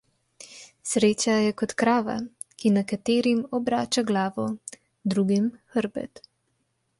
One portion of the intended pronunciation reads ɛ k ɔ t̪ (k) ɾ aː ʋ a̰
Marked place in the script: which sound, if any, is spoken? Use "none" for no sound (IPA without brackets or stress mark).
k